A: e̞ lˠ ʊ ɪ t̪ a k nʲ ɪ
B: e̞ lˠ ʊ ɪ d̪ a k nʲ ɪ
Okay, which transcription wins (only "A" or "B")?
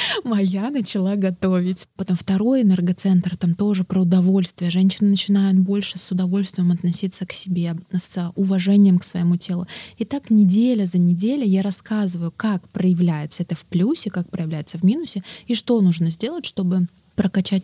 A